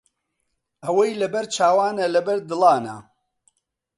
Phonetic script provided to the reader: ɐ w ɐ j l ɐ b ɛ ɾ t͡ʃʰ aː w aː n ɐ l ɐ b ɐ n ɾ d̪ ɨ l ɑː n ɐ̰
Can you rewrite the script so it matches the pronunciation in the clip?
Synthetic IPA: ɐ w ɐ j l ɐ b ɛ ɾ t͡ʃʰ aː w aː n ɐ l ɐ b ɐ ɾ d̪ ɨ l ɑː n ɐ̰